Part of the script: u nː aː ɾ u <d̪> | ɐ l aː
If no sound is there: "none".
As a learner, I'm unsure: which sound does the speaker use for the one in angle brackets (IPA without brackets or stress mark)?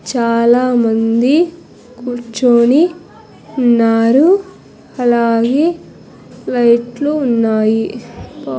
none